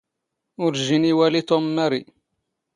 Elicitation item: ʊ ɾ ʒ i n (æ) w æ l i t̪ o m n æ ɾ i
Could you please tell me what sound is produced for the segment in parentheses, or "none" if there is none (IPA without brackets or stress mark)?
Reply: i